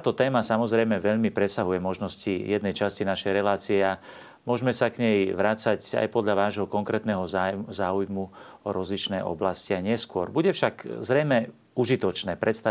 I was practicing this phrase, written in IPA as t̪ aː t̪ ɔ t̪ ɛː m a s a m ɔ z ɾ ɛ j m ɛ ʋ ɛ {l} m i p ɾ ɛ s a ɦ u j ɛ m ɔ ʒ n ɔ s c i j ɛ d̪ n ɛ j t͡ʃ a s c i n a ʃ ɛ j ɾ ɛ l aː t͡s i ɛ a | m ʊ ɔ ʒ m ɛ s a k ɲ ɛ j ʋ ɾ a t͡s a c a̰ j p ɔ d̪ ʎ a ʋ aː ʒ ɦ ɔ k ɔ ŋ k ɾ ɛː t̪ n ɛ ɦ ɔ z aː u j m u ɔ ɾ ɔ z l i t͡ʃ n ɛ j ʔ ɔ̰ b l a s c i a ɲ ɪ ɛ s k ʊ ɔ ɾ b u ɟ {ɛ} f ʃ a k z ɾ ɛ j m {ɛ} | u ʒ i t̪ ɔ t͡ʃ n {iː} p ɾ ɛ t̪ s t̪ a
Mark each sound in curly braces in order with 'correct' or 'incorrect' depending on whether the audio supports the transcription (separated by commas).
incorrect, correct, correct, incorrect